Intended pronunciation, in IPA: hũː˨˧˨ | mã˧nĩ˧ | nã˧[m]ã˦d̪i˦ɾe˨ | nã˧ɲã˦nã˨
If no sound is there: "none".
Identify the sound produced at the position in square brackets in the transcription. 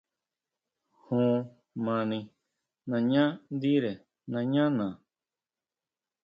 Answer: ɲ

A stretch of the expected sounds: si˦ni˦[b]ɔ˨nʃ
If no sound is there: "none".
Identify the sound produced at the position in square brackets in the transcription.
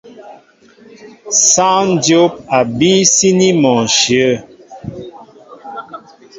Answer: m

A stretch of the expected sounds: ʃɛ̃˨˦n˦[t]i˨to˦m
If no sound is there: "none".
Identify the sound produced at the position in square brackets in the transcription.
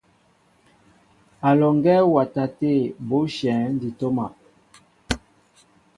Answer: d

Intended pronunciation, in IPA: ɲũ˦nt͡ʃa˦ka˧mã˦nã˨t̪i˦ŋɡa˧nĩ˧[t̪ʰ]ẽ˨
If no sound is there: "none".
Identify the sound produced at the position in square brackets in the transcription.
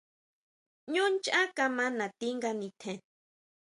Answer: t̪ʰ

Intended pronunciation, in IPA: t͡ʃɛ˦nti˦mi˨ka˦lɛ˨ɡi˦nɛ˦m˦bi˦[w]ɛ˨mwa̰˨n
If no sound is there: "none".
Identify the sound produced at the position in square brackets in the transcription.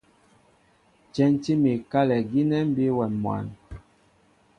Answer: w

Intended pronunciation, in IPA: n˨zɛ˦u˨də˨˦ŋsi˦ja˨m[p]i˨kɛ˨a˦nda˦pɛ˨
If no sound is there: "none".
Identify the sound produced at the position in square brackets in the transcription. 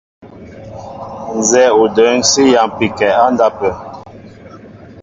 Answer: p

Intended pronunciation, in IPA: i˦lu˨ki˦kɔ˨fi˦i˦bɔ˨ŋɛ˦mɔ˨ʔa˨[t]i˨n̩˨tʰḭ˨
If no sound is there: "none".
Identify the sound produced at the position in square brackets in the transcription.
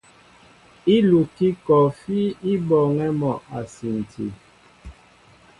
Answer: s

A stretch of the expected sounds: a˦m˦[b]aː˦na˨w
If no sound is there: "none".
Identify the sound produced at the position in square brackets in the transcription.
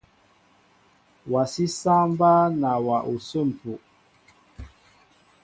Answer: b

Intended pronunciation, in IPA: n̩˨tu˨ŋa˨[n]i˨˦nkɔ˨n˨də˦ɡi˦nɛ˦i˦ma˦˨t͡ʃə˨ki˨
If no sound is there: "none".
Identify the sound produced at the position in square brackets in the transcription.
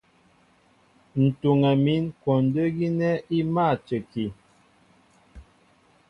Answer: m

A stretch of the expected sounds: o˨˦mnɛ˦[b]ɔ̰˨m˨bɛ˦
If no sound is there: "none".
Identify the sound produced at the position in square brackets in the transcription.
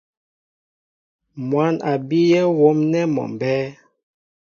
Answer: m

